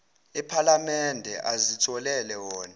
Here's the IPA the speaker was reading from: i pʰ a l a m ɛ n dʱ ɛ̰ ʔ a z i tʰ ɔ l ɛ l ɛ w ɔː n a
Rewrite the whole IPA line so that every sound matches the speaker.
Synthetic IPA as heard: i pʰ a l a m ɛ n dʱ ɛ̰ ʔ a z i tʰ ɔ l ɛ l ɛ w ɔː n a